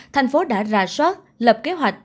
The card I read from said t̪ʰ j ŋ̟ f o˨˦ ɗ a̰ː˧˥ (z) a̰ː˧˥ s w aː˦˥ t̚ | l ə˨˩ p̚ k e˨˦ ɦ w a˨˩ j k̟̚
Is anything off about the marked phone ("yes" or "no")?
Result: no